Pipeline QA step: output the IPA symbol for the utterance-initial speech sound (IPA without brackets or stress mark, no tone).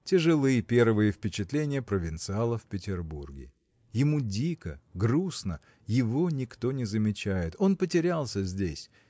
tʲ